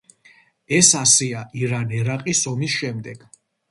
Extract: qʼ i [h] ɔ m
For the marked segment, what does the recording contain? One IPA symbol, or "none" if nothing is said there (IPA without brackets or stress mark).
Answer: s